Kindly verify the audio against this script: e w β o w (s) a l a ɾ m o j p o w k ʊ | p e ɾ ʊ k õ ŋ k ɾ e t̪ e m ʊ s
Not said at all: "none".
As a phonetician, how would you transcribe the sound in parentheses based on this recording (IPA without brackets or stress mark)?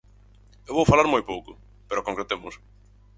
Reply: f